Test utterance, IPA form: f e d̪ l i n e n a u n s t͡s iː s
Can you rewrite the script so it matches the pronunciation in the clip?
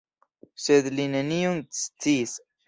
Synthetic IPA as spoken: s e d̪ l i n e n i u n s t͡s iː s